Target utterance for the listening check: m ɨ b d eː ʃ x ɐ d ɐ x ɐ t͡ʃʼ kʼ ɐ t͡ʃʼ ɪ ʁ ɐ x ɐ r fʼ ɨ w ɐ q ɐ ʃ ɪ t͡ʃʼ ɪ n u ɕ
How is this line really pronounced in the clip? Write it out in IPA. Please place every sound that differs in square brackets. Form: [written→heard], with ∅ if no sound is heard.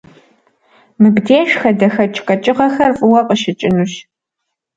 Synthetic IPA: m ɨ b d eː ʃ x ɐ d ɐ x ɐ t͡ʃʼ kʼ ɐ t͡ʃʼ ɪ ʁ ɐ x ɐ r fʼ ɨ w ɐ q [ɐ→ə] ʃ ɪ t͡ʃʼ ɪ n u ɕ